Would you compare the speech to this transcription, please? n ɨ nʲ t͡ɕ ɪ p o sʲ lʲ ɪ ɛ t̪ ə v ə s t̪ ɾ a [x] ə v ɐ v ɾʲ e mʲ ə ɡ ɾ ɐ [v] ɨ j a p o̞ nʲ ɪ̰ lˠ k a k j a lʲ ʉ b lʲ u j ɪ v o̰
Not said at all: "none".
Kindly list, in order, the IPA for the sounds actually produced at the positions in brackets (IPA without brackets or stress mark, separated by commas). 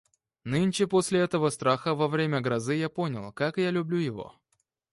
x, z